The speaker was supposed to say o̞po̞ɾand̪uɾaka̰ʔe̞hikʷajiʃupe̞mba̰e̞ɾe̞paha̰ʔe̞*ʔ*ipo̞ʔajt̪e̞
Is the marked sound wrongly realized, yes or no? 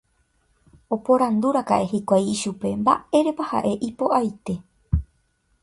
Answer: no